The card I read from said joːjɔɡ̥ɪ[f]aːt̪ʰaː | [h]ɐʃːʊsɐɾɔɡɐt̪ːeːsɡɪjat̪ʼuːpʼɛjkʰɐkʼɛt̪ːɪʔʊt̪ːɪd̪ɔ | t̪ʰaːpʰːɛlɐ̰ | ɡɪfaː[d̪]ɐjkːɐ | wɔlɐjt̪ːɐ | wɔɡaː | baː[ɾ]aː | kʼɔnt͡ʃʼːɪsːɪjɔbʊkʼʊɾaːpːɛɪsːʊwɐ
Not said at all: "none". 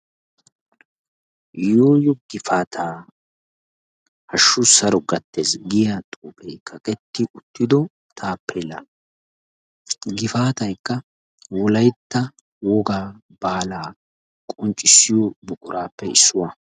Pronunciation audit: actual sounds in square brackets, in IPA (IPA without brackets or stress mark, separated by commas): f, h, t̪, l